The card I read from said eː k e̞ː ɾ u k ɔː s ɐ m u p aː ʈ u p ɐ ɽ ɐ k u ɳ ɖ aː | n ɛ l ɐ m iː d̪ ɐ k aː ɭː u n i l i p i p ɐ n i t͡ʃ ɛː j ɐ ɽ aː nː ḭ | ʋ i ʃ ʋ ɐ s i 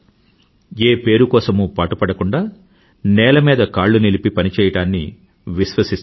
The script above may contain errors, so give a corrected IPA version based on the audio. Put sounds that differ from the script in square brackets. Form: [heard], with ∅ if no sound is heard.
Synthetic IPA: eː [p] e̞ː ɾ u k ɔː s ɐ m u p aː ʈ u p ɐ ɽ ɐ k u ɳ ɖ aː | n [ɛː] l ɐ m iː d̪ ɐ k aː ɭː u n i l i p i p ɐ n i t͡ʃ ɛː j ɐ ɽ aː nː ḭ | ʋ i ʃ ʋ ɐ s i